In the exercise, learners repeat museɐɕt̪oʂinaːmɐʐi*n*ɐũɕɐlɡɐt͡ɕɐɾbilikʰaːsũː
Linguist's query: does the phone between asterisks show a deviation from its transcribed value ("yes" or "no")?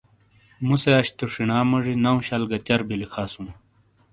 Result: no